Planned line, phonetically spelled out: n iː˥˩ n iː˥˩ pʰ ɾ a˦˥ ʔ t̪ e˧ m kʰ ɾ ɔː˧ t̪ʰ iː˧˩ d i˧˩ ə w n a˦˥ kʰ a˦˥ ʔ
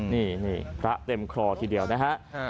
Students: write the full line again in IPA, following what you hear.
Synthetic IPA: n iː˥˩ n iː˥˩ pʰ ɾ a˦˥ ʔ t̪ e˧ m kʰ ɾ ɔː˧ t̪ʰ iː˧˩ d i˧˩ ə w n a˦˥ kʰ a˦˥ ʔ